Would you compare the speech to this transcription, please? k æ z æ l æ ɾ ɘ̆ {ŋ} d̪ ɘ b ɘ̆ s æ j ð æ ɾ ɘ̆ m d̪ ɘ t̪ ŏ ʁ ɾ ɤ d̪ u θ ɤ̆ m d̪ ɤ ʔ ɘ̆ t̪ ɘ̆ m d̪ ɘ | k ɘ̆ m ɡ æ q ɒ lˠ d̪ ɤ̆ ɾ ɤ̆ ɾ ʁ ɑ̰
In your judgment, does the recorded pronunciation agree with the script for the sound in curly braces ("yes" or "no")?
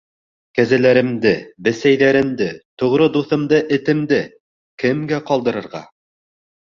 no